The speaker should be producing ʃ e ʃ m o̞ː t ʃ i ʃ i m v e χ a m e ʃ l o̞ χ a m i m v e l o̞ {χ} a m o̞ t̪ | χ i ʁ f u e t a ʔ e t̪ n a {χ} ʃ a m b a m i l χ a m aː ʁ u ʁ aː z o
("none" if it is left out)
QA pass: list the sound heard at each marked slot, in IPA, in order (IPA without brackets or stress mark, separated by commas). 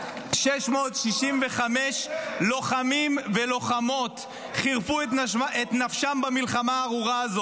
χ, f